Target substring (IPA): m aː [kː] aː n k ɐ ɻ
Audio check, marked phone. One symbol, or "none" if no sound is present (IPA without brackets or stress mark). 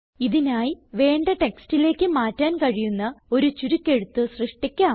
tː